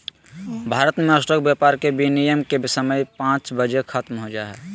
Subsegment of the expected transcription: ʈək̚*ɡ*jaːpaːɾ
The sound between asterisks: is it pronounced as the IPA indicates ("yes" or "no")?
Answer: no